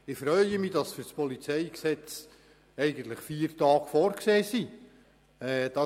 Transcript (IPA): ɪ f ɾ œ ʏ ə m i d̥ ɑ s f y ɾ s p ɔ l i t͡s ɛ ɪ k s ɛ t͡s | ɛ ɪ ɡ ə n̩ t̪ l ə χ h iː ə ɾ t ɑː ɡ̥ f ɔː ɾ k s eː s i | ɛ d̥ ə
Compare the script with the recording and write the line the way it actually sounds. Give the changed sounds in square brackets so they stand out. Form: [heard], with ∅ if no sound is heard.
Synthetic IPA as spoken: ɪ f ɾ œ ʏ ə m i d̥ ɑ s f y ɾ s p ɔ l i t͡s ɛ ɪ k s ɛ t͡s | ɛ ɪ ɡ ə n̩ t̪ l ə χ [f] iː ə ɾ t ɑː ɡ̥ f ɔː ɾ k s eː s i | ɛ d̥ [ɑ]